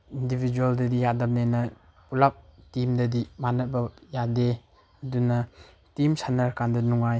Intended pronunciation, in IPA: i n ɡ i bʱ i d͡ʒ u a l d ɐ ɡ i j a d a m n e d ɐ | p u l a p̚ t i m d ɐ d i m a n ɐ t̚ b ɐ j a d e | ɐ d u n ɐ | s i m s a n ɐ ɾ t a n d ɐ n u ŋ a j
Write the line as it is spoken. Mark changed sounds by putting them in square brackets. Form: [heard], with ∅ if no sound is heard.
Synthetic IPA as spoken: i n [d] i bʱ i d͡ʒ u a l d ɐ [d] i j a d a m n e [n] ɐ | p u l a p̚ t i m d ɐ d i m a n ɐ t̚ b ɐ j a d e | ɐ d u n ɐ | [t] i m s a n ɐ ɾ [k] a n d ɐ n u ŋ a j

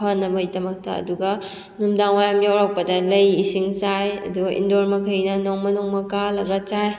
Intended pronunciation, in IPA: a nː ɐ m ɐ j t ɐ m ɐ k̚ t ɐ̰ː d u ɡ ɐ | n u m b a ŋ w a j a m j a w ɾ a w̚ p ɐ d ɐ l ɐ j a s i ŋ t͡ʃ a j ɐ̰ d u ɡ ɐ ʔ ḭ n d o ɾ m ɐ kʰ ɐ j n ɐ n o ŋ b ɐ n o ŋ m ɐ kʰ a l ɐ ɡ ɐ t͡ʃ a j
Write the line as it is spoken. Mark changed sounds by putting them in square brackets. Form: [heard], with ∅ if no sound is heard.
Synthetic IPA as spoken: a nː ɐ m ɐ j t ɐ m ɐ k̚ t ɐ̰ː d u ɡ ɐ | n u m [d] a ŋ w a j a m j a w ɾ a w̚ p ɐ d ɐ l ɐ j [i] s i ŋ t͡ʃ a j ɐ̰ d u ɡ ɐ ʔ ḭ n d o ɾ m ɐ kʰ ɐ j n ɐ n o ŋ [m] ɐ n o ŋ m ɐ [k] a l ɐ ɡ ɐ t͡ʃ a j

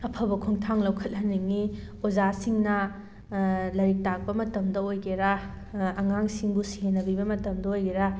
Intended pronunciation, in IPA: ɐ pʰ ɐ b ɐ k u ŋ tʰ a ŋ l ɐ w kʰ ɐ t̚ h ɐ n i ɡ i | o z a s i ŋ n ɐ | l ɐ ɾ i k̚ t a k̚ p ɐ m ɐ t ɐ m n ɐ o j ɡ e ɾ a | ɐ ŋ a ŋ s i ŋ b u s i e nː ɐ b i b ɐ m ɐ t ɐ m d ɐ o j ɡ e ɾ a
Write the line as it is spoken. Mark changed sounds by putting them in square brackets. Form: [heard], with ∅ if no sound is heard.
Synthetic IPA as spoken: ɐ pʰ ɐ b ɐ [kʰ] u ŋ tʰ a ŋ l ɐ w kʰ ɐ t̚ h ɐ n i [ŋ] i | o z a s i ŋ n ɐ | l ɐ ɾ i k̚ t a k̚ p ɐ m ɐ t ɐ m [d] ɐ o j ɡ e ɾ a | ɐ ŋ a ŋ s i ŋ b u s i e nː ɐ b i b ɐ m ɐ t ɐ m d ɐ o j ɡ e ɾ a

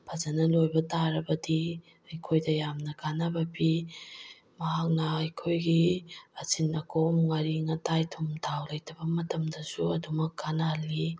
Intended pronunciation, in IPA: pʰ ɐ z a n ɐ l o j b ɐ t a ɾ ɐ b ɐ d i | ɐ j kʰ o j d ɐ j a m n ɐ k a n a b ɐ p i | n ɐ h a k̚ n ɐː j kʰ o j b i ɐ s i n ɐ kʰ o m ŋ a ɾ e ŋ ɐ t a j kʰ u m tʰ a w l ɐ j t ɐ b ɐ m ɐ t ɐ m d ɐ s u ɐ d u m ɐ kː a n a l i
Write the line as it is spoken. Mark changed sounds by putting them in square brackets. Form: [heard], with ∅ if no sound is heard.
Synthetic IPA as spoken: pʰ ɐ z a n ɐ l o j b ɐ t a ɾ ɐ b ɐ d i | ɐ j kʰ o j d ɐ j a m n ɐ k a n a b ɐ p i | [m] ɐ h a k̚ n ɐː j kʰ o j [ɡ] i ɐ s i n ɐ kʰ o m ŋ a ɾ [i] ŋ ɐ t a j [tʰ] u m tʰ a w l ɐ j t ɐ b ɐ m ɐ t ɐ m d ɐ s u ɐ d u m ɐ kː a n a l i

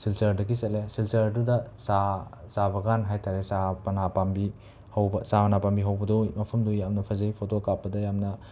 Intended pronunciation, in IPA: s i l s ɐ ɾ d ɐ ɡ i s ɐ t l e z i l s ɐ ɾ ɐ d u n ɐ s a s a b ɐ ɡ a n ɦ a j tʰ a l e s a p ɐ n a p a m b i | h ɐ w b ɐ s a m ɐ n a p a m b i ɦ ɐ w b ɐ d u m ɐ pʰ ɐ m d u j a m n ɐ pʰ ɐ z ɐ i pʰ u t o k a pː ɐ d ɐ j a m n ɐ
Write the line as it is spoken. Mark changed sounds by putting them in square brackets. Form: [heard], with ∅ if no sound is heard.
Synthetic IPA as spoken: s i l s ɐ ɾ d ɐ ɡ i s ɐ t l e [s] i l s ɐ ɾ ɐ d u [d] ɐ s a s a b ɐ ɡ a n ɦ a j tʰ a [ɾ] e s a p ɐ n a p a m b i | h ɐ w b ɐ s a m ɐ n a p a m b i ɦ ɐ w b ɐ d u m ɐ pʰ ɐ m d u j a m n ɐ pʰ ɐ z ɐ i pʰ [o] t o k a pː ɐ d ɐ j a m n ɐ

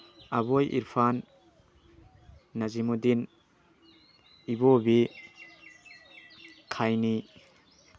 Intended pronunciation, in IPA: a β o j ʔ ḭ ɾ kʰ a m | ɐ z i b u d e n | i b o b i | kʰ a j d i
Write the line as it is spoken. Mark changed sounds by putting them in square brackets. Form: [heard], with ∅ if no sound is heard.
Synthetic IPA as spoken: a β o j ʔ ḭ ɾ [pʰ] a [n] | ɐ z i [m] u d [i] n | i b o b i | kʰ a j [n] i

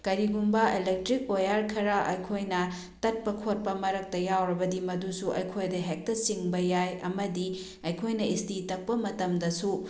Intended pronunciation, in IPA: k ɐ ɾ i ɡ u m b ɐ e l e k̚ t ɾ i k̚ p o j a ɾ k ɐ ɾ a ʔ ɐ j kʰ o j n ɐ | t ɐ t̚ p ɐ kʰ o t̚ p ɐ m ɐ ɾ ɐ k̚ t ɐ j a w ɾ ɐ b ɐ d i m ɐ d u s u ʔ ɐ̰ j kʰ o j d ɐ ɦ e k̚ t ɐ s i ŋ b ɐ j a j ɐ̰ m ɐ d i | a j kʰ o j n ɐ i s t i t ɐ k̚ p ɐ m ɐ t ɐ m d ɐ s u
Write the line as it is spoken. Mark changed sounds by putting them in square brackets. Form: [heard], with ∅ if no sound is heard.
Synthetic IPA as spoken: k ɐ ɾ i ɡ u m b ɐ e l e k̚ t ɾ i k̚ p o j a ɾ [kʰ] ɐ ɾ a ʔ ɐ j kʰ o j n ɐ | t ɐ t̚ p ɐ kʰ o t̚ p ɐ m ɐ ɾ ɐ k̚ t ɐ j a w ɾ ɐ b ɐ d i m ɐ d u s u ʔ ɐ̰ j kʰ o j d ɐ ɦ e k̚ t ɐ s i ŋ b ɐ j a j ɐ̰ m ɐ d i | [ɐ] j kʰ o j n ɐ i s t i t ɐ k̚ p ɐ m ɐ t ɐ m d ɐ s u

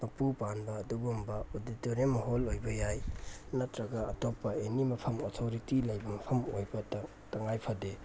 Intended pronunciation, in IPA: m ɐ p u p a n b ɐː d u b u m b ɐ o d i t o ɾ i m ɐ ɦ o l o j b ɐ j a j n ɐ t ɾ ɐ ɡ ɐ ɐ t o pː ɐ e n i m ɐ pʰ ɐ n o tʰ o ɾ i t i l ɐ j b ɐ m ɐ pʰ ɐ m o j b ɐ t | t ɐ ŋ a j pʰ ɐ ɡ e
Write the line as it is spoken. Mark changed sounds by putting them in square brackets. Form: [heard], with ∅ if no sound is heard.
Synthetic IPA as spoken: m ɐ p u p a n b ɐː d u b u m b ɐ o d i t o ɾ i m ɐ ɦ o l o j b ɐ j a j n ɐ t ɾ ɐ ɡ ɐ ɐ t o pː ɐ e n i m ɐ pʰ ɐ [m] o tʰ o ɾ i t i l ɐ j b ɐ m ɐ pʰ ɐ m o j b ɐ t | t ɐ ŋ a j pʰ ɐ [d] e

